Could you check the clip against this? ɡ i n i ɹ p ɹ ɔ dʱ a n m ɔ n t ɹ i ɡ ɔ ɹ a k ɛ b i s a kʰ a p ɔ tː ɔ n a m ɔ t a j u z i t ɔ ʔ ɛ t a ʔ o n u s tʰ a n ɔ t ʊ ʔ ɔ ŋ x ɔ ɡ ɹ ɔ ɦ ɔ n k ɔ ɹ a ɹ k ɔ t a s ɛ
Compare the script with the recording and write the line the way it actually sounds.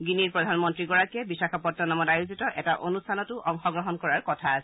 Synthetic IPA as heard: ɡ i n i ɹ p ɹ ɔ dʱ a n m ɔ n t ɹ i ɡ ɔ ɹ a k ɛ b i s a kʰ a p ɔ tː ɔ n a m ɔ t a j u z i t ɔ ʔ ɛ t a ʔ o n u s tʰ a n ɔ t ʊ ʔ ɔ ŋ x ɔ ɡ ɹ ɔ ɦ ɔ n k ɔ ɹ a ɹ k ɔ tʰ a s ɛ

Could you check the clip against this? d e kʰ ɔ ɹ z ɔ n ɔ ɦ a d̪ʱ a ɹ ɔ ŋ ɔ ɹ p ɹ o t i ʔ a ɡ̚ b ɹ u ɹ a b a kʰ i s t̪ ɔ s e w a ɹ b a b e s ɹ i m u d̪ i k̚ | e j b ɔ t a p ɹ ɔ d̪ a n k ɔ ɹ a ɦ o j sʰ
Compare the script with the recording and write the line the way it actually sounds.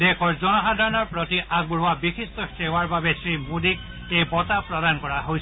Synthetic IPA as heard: d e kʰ ɔ ɹ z ɔ n ɔ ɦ a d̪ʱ a ɹ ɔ n ɔ ɹ p ɹ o t i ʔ a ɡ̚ b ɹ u a b i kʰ i s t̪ ɔ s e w a ɹ b a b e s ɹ i m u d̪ i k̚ | e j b ɔ t a p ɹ ɔ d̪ a n k ɔ ɹ a ɦ o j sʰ

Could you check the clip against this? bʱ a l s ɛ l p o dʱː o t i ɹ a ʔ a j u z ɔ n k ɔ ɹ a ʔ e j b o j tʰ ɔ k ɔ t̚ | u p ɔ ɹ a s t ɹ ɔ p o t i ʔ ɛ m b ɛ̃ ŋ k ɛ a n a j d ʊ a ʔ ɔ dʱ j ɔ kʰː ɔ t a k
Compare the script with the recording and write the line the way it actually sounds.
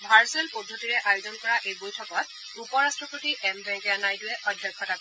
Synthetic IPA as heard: bʱ a ɹ s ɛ l p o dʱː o t i ɹ ɛ ʔ a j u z ɔ n k ɔ ɹ a ʔ e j b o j tʰ ɔ k ɔ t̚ | u p ɔ ɹ a s t ɹ ɔ p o t i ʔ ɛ m b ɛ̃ ŋ k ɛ a n a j d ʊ ɛ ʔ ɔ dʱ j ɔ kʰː ɔ t a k

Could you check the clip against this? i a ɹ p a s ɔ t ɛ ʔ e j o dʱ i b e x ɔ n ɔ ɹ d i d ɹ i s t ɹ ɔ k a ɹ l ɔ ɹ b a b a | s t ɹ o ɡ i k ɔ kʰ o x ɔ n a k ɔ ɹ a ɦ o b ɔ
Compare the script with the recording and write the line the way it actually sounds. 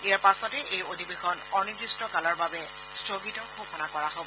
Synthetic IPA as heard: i a ɹ p a s ɔ t ɛ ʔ e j o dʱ i b e x ɔ n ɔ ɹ n i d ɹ i s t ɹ ɔ k a l ɔ ɹ b a b ɛ | s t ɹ o ɡ i t ɔ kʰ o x ɔ n a k ɔ ɹ a ɦ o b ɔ

